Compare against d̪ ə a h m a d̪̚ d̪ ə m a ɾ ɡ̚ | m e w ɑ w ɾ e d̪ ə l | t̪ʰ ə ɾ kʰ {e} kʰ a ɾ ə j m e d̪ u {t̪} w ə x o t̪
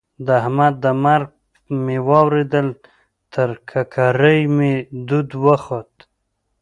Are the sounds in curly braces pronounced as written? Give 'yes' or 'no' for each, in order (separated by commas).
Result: no, no